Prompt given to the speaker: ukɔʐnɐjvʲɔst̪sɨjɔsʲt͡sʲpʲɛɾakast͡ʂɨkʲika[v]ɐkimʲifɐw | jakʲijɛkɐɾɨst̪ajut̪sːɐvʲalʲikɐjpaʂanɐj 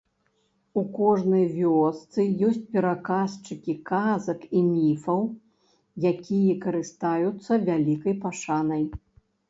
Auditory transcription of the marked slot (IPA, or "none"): z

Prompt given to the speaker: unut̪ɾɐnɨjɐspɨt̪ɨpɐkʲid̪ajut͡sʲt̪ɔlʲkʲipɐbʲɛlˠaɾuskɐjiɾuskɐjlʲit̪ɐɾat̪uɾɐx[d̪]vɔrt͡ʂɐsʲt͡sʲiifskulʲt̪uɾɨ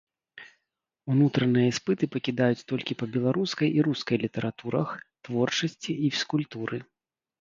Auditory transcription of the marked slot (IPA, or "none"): t̪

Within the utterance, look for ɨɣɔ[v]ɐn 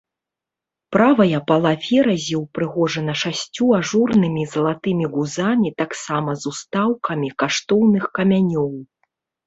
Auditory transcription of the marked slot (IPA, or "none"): ʐ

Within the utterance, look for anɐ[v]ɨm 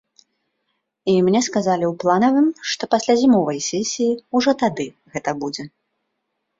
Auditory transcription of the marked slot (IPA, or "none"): v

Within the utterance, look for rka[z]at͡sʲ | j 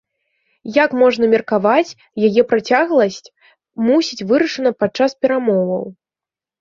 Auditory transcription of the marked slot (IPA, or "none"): v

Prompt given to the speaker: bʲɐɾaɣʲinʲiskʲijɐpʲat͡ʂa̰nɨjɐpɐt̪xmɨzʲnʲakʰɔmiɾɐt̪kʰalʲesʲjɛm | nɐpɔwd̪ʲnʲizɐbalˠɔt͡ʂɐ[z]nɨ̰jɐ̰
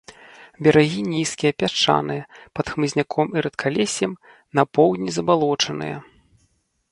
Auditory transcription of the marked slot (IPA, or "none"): none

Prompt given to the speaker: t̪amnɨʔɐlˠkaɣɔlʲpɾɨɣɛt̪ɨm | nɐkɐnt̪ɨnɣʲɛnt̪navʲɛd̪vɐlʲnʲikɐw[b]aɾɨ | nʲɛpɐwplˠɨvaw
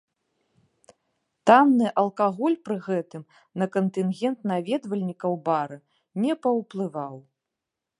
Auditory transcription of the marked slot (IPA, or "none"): b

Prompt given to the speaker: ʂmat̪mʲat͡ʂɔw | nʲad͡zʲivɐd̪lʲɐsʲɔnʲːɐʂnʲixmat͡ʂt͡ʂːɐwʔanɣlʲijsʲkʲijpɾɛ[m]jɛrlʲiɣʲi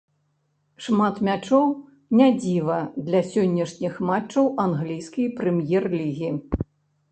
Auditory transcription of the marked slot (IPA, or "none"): m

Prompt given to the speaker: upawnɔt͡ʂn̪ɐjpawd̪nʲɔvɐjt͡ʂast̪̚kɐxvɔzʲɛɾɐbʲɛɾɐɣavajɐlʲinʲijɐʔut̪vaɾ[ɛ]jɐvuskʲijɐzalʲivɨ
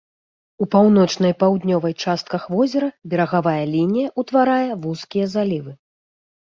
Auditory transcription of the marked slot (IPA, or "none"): a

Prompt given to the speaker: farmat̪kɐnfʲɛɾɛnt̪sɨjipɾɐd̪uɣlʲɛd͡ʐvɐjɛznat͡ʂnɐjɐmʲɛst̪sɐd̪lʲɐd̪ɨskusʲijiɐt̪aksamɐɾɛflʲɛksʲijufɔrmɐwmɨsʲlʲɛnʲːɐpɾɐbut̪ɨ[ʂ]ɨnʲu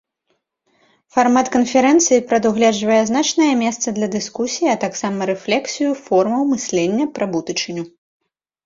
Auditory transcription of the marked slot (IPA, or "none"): t͡ʂ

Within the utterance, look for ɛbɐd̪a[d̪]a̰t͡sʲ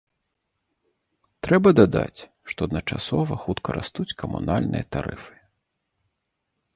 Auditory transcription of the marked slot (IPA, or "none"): d̪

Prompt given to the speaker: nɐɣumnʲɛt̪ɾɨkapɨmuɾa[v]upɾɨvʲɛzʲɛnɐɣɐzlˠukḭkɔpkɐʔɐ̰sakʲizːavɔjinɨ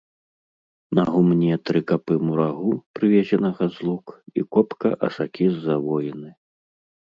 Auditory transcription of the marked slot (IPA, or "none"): ɣ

